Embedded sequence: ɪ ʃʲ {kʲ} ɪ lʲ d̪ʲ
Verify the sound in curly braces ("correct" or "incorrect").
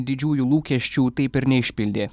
incorrect